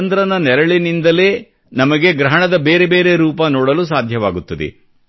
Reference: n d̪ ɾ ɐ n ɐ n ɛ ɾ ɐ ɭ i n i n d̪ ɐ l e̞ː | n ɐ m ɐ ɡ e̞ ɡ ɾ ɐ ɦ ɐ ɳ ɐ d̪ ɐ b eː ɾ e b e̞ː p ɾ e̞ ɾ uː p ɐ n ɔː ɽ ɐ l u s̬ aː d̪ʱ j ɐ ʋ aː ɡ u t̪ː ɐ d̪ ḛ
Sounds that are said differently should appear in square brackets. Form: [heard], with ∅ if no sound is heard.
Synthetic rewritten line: n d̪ ɾ ɐ n ɐ n ɛ ɾ ɐ ɭ i n i n d̪ ɐ l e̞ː | n ɐ m ɐ ɡ e̞ ɡ ɾ ɐ ɦ ɐ ɳ ɐ d̪ ɐ b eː ɾ e b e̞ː [∅] ɾ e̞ ɾ uː p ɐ n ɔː ɽ ɐ l u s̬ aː d̪ʱ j ɐ ʋ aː ɡ u t̪ː ɐ d̪ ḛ